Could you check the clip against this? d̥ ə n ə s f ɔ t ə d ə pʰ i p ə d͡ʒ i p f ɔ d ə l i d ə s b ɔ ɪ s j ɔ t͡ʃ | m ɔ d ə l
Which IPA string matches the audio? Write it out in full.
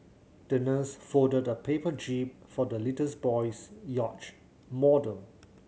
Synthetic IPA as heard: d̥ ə n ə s f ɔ d ə d ə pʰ e p ə d͡ʒ i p f ɔ d ə l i t ə s b ɔ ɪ s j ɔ t͡ʃ | m ɔ d ə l